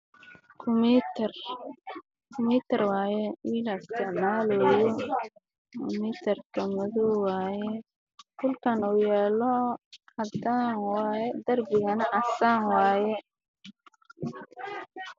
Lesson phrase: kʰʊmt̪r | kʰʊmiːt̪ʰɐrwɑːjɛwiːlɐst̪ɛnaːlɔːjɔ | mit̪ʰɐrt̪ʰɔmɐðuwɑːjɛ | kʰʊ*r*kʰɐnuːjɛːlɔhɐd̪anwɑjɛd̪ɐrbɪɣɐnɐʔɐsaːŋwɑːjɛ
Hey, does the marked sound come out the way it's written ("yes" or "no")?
no